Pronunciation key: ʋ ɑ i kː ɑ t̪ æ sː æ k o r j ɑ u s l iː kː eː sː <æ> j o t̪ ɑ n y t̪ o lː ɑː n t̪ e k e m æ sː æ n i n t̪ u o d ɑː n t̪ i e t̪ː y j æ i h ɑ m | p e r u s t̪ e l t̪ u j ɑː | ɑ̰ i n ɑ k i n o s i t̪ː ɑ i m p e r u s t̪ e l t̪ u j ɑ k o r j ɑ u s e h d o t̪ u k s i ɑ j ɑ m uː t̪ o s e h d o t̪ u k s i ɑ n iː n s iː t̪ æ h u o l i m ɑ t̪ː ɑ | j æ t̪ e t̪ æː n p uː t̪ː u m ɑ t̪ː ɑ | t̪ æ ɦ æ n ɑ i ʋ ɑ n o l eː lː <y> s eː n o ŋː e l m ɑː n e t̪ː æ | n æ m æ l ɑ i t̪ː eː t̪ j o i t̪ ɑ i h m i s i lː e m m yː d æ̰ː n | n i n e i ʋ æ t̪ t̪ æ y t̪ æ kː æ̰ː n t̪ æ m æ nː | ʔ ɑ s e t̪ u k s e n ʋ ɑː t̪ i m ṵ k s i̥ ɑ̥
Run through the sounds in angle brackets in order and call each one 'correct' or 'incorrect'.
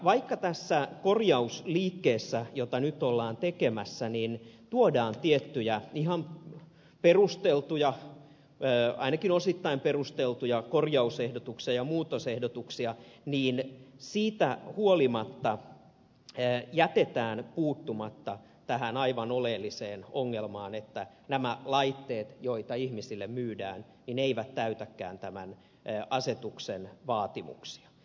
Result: correct, incorrect: i

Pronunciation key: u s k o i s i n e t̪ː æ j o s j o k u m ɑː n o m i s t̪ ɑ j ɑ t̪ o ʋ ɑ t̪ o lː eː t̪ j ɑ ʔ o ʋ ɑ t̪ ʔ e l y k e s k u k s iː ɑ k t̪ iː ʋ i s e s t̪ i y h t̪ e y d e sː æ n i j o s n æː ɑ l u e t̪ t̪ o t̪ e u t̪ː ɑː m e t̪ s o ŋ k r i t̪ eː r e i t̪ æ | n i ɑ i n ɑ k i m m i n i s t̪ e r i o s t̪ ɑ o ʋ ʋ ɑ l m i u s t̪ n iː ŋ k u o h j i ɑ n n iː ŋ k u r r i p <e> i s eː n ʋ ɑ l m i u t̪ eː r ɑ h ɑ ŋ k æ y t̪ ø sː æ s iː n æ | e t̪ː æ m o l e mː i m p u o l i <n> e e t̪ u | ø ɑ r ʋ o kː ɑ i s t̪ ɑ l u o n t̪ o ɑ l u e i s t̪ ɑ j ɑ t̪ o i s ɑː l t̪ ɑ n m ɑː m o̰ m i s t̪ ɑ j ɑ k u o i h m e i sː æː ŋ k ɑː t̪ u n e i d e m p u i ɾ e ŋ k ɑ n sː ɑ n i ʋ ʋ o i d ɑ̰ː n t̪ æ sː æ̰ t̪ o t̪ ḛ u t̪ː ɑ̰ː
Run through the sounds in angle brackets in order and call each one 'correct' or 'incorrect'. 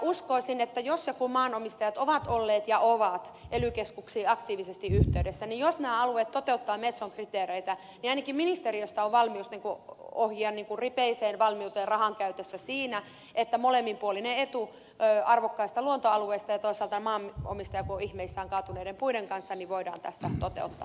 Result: correct, correct

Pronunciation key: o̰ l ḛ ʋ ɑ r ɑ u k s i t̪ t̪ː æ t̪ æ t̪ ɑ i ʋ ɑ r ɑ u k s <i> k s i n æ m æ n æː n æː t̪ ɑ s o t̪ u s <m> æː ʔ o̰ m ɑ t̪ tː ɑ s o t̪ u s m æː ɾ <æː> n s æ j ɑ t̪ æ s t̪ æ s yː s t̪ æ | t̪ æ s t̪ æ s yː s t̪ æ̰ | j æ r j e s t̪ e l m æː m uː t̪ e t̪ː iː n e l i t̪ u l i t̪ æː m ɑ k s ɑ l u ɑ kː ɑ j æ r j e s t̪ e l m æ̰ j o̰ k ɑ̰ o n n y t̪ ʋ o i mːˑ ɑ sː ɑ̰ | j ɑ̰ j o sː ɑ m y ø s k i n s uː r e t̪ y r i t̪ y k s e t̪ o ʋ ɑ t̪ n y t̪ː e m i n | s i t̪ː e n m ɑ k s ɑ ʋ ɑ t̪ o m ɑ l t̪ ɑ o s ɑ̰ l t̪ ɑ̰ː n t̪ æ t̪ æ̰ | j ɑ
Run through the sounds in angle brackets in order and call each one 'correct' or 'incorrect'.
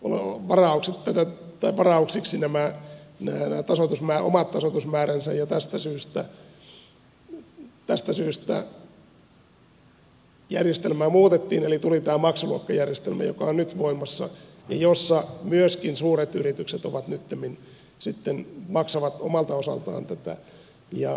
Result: correct, correct, incorrect: æ

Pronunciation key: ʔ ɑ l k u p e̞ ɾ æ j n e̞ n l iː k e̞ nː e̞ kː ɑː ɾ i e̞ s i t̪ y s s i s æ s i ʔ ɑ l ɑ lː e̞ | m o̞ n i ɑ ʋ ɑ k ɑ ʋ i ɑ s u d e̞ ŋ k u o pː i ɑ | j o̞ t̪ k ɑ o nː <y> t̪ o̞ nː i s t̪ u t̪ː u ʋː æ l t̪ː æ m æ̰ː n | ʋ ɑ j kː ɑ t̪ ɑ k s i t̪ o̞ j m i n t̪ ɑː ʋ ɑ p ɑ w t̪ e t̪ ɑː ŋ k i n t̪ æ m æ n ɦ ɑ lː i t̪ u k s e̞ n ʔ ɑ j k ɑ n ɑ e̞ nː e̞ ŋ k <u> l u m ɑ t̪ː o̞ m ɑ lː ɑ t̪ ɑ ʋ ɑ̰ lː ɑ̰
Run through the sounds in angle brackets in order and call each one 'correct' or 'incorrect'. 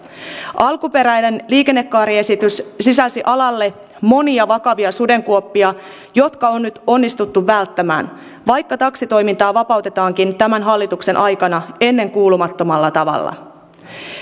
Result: correct, incorrect: uː

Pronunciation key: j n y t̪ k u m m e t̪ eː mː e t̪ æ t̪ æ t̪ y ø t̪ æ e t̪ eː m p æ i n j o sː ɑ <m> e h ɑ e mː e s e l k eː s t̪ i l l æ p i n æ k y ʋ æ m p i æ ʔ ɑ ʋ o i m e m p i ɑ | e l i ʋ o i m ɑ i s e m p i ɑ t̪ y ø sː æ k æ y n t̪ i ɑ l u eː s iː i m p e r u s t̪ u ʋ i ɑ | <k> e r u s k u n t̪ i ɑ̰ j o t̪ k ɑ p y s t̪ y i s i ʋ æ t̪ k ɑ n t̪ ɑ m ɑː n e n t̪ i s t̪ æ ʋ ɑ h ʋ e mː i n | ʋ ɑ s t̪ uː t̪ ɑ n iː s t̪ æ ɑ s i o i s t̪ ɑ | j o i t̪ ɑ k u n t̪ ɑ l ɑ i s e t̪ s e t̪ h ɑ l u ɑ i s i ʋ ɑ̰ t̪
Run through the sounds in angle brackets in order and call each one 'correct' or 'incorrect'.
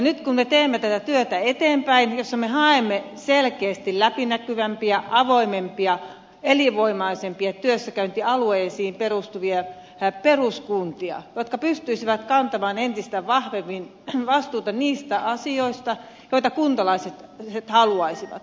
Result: correct, incorrect: p

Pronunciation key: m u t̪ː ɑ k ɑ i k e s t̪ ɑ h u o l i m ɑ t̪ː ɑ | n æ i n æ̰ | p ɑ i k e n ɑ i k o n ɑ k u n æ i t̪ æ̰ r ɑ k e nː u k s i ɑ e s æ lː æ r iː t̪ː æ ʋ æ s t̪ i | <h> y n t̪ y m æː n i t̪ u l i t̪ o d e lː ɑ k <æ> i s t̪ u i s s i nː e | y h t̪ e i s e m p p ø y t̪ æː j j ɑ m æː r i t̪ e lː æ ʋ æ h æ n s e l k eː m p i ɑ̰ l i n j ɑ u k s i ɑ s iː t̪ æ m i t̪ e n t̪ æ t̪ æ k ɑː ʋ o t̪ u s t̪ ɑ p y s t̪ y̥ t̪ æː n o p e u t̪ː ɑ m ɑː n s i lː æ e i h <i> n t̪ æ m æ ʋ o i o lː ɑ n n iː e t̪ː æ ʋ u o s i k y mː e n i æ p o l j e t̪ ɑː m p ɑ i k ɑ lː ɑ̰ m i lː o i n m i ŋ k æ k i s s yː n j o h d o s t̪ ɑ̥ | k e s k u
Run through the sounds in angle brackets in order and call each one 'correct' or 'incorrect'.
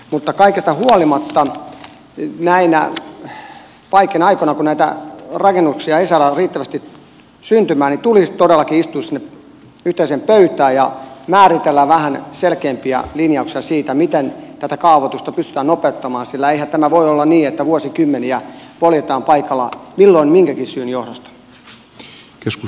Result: incorrect: s, incorrect: i, incorrect: æ

